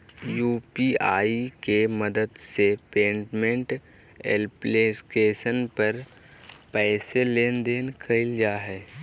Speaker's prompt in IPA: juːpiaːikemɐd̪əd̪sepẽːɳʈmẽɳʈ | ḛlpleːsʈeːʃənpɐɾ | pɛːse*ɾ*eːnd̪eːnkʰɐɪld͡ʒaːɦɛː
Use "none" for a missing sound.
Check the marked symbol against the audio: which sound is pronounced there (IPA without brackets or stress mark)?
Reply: l